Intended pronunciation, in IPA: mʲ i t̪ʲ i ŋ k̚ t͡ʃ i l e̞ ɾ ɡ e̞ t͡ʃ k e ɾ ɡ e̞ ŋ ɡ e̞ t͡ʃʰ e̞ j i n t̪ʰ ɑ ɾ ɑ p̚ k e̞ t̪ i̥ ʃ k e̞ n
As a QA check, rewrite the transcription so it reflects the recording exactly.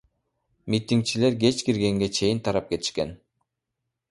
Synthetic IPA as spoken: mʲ i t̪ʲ i ŋ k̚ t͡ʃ i l e̞ ɾ ɡ e̞ t͡ʃ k i ɾ ɡ e̞ ŋ ɡ e̞ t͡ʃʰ e̞ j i n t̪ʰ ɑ ɾ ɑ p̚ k e̞ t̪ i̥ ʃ k e̞ n